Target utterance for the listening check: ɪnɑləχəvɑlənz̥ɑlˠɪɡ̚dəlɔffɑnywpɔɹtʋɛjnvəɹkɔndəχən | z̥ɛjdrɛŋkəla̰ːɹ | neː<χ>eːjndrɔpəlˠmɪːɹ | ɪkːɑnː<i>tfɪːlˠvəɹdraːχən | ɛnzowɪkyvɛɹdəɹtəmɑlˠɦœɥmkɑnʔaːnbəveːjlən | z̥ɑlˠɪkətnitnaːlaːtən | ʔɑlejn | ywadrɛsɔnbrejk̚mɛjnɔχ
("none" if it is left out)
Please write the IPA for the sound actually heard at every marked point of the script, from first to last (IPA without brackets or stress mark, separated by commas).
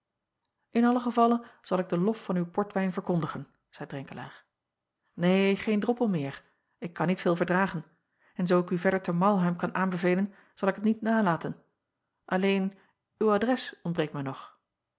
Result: χ, i